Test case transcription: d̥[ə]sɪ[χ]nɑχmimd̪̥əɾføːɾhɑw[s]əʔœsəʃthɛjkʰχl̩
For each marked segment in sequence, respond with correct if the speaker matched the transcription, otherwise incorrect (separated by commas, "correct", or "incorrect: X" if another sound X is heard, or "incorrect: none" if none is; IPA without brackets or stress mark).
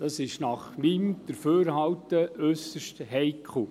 incorrect: ɑ, incorrect: ʃ, incorrect: t